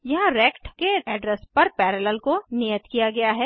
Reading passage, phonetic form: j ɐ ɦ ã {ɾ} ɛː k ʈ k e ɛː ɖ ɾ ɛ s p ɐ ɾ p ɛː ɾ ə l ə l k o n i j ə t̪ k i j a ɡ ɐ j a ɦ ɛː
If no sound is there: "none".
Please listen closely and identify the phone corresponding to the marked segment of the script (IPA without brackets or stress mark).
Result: ɾ